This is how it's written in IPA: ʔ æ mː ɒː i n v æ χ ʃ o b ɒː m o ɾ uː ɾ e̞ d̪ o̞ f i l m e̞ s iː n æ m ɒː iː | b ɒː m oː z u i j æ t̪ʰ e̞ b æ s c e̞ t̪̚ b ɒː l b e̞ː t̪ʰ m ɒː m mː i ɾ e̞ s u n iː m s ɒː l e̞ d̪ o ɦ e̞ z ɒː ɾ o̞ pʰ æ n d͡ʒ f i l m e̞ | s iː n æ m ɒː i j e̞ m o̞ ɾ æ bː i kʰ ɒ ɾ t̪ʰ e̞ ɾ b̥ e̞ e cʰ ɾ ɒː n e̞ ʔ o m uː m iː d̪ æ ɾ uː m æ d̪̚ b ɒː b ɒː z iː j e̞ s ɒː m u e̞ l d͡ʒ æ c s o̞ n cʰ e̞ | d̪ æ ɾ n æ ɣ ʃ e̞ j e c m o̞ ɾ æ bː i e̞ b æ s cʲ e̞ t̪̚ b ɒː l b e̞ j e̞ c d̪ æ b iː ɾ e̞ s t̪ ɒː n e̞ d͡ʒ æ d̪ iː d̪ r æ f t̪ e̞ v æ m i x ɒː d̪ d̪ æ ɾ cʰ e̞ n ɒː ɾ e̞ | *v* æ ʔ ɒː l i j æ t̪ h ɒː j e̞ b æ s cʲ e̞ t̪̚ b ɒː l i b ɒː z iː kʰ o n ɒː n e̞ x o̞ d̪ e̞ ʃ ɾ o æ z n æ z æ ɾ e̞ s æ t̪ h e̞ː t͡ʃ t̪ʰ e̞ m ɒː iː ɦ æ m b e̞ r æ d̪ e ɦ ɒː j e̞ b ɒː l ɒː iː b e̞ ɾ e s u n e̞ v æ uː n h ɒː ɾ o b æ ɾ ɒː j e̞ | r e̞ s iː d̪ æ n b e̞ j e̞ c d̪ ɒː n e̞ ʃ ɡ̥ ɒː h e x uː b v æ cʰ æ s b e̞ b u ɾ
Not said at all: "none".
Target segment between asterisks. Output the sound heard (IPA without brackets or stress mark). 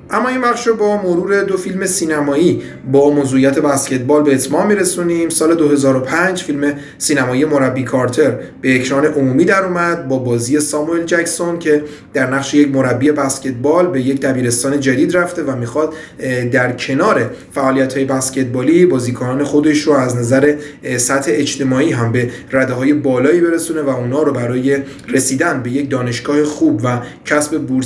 f